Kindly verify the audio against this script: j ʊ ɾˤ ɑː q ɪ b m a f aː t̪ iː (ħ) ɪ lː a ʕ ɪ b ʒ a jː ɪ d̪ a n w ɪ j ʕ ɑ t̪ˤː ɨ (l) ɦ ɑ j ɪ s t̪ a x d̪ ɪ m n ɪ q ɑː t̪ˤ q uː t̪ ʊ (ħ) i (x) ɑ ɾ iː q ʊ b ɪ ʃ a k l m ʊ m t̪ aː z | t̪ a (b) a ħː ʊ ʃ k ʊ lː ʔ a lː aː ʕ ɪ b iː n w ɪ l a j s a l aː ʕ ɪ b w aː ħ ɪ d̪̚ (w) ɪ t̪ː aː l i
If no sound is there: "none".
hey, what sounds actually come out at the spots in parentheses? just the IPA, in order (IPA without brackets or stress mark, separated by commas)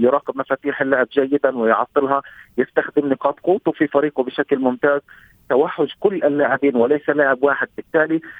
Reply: ħ, l, f, f, w, b